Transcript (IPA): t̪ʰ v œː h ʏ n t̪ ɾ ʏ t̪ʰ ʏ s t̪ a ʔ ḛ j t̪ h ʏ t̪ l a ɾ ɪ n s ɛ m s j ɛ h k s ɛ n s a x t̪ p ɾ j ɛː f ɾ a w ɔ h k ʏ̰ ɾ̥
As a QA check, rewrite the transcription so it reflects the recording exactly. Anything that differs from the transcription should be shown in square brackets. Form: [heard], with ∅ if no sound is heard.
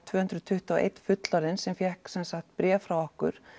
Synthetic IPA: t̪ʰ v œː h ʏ n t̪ ɾ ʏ t̪ʰ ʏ [h] t̪ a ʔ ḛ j t̪ [f] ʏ t̪ l a ɾ ɪ n s ɛ m [f] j ɛ h k s ɛ n s a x t̪ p ɾ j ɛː f ɾ a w ɔ h k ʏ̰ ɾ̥